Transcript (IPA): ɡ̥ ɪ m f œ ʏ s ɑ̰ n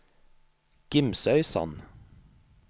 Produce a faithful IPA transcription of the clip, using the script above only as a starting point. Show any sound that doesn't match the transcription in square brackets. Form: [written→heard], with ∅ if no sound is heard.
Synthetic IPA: ɡ̥ ɪ m [f→s] œ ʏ s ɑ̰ n